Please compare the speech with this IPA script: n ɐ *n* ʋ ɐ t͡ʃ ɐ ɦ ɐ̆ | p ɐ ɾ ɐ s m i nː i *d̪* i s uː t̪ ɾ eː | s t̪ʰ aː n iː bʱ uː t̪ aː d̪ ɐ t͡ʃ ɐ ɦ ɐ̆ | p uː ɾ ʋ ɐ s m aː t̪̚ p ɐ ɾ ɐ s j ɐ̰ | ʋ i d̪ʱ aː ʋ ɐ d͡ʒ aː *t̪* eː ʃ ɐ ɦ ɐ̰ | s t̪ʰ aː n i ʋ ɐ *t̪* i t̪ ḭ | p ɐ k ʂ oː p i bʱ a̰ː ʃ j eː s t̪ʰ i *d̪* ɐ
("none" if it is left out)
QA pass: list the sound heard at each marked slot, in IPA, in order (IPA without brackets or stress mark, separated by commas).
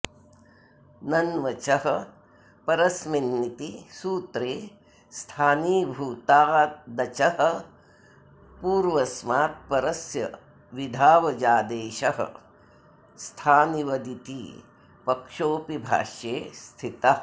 n, t̪, d̪, d̪, t̪